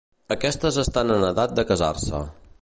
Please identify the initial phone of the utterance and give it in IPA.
ə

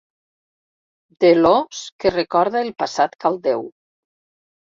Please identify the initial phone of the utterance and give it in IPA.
d̪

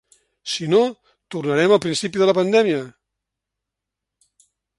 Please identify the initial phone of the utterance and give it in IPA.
s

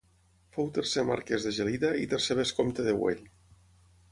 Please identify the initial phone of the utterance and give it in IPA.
f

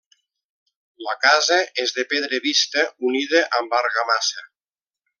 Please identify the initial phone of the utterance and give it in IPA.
l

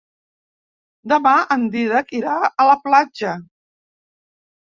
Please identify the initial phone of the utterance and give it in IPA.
d̪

